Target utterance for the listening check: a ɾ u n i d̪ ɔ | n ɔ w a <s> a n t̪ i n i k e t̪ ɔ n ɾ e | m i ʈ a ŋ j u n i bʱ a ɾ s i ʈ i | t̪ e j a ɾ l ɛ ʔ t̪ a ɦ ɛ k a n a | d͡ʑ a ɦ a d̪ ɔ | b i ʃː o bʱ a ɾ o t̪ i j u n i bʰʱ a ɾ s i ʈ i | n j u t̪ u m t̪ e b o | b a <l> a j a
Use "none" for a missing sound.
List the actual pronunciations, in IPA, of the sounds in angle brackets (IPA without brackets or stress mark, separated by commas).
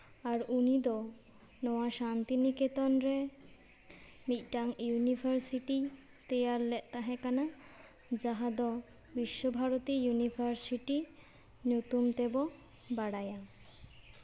ʃ, ɽ